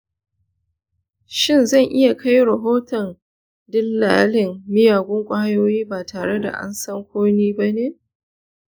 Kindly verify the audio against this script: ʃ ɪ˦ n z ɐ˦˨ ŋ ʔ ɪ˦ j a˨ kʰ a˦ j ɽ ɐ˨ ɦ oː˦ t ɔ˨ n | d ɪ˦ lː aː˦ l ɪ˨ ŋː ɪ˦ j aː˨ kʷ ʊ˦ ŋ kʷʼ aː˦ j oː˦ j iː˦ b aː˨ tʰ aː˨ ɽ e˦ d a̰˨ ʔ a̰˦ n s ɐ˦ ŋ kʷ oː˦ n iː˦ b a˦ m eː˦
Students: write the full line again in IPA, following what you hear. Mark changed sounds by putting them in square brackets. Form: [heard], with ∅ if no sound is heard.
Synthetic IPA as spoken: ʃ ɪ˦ n z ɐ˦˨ ŋ ʔ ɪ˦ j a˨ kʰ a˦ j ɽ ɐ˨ ɦ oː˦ t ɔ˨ n | d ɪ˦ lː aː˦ l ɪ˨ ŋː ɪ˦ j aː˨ [ɡʷ] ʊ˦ ŋ kʷʼ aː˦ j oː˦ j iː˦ b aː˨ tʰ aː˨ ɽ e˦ d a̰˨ ʔ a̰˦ n s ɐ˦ ŋ kʷ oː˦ n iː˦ b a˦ [n] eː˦